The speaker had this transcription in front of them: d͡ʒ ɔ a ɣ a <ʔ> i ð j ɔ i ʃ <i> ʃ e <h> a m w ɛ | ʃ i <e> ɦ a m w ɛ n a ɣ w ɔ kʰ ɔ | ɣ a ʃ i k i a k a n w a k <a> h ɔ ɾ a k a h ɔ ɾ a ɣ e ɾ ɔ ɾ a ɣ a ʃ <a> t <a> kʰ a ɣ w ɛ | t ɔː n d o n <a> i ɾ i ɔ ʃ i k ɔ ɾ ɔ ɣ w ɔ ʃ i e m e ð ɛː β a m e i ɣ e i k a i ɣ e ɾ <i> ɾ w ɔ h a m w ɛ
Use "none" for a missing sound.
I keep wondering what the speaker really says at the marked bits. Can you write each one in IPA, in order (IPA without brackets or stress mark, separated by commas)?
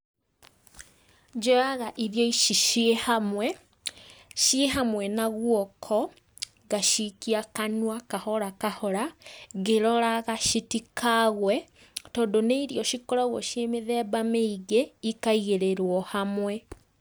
ʔ, i, h, e, a, i, i, e, e